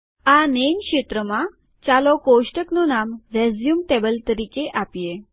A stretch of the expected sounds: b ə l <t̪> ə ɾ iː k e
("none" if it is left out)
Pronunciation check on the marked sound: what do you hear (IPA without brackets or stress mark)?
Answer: t̪